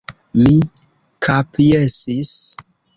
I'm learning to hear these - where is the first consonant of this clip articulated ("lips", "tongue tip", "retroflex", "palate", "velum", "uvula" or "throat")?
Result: lips